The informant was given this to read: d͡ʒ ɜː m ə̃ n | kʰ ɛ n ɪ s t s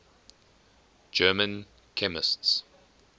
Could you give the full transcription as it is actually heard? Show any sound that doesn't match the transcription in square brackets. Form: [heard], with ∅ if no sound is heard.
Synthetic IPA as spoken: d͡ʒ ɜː m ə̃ n | kʰ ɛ [m] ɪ s t s